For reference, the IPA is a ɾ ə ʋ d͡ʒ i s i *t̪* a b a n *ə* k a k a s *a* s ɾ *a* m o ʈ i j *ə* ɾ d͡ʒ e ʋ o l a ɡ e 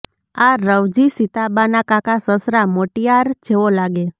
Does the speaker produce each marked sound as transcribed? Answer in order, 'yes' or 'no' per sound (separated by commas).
yes, no, no, yes, no